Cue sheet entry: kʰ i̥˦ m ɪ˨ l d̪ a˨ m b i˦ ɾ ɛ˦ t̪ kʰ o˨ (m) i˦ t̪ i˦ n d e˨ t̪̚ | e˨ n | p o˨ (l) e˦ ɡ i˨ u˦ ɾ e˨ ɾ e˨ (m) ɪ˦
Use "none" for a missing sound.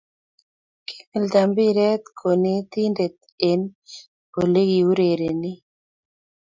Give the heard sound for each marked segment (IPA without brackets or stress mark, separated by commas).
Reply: n, l, n